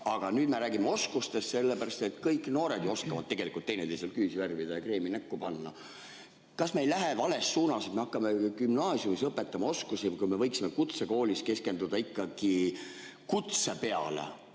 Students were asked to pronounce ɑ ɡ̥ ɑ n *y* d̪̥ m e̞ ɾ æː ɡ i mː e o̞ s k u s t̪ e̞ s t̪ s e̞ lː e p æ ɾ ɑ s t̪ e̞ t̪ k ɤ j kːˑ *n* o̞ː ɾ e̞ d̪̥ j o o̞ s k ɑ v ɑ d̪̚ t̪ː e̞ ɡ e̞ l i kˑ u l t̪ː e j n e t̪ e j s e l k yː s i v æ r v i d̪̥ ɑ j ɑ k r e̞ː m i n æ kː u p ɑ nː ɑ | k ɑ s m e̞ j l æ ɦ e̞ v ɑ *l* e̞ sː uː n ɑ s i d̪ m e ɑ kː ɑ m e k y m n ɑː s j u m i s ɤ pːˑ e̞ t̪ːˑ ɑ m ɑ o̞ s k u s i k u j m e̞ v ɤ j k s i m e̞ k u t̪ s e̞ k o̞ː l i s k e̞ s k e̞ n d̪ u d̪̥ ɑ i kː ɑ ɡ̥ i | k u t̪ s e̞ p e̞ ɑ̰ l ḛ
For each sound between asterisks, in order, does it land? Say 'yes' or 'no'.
no, yes, yes

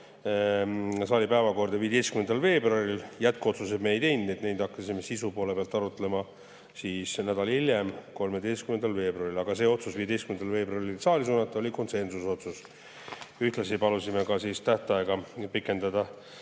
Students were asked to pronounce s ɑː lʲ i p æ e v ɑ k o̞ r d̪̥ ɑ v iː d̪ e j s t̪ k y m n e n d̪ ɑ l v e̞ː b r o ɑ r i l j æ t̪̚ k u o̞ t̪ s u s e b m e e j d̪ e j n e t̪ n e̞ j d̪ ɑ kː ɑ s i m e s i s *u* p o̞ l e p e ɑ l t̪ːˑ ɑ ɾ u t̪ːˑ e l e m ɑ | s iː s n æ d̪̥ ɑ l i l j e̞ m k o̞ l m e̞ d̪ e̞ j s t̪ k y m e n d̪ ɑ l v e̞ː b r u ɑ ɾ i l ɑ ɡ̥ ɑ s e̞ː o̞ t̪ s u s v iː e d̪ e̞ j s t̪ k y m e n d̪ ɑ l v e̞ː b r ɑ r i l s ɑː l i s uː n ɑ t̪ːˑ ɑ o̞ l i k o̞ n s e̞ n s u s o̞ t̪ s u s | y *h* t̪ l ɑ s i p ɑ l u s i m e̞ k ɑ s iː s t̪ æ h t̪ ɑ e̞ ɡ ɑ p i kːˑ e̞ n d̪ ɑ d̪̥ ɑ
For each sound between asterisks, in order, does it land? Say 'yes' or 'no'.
yes, yes

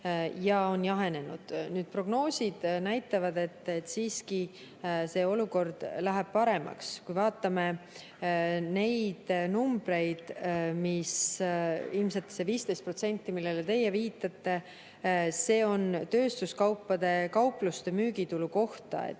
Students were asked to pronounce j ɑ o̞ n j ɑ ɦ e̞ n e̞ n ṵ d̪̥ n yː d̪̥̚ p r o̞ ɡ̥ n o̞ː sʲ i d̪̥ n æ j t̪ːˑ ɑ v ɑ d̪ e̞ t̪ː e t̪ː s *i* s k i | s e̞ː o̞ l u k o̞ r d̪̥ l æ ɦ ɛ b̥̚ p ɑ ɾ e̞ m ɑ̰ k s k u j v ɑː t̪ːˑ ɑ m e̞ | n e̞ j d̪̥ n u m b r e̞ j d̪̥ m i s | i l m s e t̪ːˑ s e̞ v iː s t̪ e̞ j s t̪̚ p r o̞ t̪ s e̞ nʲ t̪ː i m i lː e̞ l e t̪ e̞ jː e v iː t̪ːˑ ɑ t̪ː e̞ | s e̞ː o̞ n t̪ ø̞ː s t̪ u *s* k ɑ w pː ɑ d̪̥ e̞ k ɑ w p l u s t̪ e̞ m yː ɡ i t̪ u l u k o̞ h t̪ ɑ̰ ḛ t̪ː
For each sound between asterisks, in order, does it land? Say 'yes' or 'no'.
no, yes

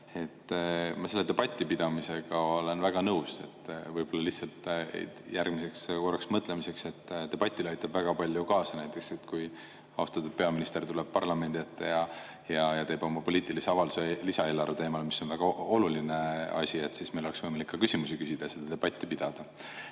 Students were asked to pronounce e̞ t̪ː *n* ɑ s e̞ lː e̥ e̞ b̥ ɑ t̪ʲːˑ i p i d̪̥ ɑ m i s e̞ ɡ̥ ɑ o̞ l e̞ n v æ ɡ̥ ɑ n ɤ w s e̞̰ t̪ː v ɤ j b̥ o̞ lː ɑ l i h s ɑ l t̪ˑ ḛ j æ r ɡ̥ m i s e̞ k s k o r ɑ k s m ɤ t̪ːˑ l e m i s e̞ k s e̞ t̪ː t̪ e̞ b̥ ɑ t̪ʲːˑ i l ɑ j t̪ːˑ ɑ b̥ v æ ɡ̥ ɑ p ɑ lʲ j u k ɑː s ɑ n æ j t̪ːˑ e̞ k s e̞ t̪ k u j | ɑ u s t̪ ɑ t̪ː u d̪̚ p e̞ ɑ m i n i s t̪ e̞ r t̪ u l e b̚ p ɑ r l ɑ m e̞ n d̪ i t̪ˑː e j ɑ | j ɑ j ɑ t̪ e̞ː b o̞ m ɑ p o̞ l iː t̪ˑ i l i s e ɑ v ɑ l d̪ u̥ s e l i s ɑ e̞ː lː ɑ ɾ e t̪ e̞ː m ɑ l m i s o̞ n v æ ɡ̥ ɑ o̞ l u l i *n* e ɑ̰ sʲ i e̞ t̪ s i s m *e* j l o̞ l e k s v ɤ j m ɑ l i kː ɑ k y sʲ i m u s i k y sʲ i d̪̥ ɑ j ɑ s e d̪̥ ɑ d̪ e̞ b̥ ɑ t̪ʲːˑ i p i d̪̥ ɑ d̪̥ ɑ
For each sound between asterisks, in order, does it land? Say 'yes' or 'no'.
no, yes, yes

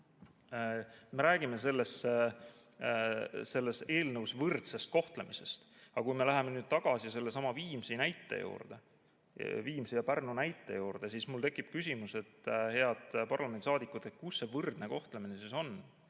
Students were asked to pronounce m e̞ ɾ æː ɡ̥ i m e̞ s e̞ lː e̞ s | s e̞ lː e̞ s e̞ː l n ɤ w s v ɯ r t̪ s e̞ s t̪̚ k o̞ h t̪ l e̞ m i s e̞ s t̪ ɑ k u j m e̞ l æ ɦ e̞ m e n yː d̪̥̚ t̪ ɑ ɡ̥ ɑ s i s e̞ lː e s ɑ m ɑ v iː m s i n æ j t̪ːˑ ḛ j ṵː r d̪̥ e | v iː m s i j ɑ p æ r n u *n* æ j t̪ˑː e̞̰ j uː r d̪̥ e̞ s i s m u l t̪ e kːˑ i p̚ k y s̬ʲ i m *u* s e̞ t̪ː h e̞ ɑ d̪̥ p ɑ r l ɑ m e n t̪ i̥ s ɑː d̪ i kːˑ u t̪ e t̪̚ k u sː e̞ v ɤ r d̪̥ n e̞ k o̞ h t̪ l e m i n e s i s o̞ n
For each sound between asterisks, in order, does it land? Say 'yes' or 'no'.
yes, yes

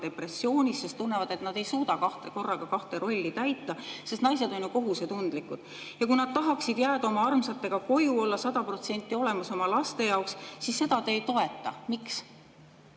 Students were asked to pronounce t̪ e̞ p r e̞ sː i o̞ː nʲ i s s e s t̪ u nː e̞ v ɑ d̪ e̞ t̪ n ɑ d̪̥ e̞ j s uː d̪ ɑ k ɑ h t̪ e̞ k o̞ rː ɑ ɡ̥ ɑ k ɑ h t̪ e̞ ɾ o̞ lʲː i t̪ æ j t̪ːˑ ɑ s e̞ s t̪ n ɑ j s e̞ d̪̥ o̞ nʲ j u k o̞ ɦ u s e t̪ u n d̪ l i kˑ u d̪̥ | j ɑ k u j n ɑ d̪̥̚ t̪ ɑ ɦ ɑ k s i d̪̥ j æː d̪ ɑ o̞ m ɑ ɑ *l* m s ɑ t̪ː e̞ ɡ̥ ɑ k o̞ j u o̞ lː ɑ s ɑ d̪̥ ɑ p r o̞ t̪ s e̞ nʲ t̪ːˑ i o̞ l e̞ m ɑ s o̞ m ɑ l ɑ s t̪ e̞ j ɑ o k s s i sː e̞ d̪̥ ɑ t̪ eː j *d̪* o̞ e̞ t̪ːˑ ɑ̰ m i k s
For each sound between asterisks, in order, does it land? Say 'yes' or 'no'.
no, no

